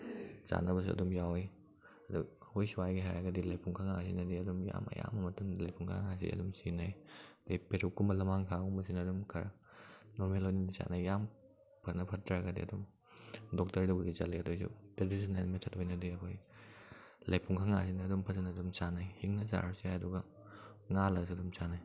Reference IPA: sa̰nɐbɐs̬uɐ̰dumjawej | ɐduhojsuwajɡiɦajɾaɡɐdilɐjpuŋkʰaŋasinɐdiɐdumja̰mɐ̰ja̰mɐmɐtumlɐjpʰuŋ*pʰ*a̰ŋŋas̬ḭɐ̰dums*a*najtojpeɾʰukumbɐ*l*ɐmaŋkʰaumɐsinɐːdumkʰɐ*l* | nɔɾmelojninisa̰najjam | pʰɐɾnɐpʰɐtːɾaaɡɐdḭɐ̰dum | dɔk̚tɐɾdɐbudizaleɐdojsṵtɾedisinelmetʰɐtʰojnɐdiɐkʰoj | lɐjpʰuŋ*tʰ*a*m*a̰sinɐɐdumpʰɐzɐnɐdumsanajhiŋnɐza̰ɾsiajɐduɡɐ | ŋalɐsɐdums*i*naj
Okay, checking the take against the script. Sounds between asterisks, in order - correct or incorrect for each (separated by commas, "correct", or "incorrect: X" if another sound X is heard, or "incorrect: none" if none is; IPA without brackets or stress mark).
incorrect: kʰ, incorrect: i, correct, incorrect: ɾ, incorrect: kʰ, incorrect: ŋ, incorrect: a